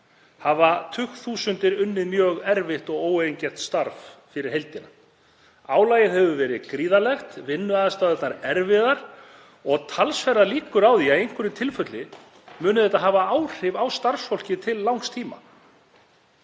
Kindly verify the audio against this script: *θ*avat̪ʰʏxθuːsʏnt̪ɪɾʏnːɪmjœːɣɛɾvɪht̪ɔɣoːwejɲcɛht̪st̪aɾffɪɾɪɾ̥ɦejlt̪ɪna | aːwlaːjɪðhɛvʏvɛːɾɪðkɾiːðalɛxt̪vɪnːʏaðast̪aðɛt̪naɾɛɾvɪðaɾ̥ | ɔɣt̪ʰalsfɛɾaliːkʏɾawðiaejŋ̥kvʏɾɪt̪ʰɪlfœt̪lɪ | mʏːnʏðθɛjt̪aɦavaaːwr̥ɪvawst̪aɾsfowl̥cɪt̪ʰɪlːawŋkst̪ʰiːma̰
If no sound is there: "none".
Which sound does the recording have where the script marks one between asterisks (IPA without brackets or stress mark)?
h